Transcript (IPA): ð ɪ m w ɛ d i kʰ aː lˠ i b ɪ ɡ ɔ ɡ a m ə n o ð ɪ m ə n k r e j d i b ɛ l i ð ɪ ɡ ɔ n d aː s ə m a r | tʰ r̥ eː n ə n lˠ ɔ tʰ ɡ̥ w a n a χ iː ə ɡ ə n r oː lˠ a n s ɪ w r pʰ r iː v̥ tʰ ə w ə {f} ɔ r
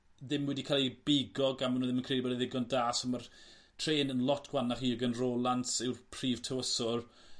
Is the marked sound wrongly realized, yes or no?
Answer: yes